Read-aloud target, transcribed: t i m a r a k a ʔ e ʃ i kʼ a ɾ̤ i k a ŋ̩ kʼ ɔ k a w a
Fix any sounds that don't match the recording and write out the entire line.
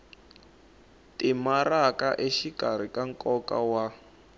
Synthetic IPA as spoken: t i m a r a k a ʔ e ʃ i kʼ a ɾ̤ i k a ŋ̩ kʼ ɔ k a w a